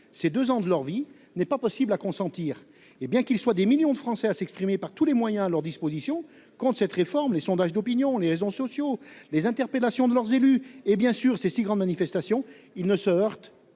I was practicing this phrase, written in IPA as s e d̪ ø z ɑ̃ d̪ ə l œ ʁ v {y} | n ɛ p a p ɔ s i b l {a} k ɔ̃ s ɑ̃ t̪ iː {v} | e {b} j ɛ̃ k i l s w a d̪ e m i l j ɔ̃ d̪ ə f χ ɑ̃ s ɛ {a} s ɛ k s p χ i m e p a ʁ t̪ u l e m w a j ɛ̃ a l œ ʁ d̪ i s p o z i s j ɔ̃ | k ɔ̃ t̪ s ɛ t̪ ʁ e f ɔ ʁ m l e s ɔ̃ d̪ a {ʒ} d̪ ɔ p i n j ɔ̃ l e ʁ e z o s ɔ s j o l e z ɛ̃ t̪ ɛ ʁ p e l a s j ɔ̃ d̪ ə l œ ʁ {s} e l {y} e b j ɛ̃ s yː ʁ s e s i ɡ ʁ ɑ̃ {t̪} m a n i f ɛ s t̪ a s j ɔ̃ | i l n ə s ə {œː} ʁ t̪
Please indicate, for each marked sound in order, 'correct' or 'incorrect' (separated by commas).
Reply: incorrect, correct, incorrect, correct, correct, correct, incorrect, correct, incorrect, incorrect